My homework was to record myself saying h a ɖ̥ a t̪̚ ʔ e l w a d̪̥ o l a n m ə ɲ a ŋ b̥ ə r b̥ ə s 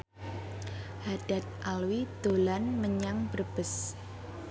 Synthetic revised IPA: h a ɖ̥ a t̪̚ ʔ a l w i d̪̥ o l a n m ə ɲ a ŋ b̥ ə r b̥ ə s